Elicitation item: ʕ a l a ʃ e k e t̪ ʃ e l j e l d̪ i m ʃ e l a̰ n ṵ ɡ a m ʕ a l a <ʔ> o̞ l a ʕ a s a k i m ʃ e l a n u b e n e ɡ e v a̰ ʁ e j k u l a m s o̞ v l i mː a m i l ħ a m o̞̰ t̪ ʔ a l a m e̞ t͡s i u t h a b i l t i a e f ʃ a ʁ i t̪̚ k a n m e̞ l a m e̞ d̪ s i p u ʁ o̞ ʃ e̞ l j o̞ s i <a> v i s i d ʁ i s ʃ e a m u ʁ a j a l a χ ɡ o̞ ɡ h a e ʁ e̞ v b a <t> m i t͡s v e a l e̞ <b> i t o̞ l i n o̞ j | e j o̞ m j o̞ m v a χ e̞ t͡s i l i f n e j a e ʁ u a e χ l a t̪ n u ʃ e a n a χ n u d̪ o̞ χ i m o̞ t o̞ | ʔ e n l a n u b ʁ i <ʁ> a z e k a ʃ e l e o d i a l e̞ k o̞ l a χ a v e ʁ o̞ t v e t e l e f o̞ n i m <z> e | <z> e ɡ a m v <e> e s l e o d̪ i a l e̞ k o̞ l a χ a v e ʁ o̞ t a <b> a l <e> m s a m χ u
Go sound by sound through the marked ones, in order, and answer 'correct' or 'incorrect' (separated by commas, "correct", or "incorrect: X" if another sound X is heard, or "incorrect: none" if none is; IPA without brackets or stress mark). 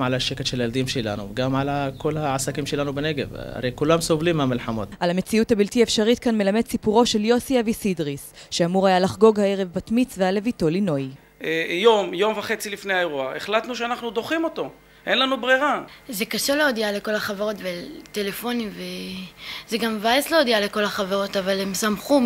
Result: incorrect: k, correct, correct, incorrect: v, correct, incorrect: v, correct, incorrect: a, incorrect: v, correct